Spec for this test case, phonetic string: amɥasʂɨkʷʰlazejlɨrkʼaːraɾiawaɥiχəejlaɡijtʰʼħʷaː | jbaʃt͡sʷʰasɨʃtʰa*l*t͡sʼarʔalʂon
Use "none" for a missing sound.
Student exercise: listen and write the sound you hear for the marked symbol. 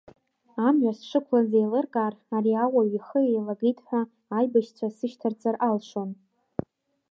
r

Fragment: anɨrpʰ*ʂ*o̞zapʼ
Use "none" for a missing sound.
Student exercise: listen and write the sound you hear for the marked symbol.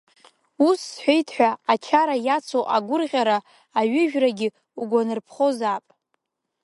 χ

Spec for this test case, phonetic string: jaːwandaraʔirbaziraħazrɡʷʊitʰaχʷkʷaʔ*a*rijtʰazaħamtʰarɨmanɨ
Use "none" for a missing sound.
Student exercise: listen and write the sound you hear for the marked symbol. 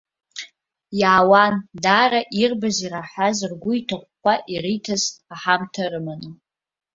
i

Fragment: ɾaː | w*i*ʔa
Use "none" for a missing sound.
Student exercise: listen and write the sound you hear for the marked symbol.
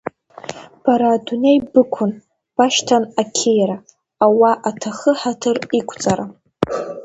a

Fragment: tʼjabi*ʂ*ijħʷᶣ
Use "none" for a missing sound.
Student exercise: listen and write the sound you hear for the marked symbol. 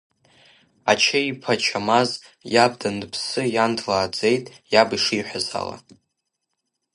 ʂ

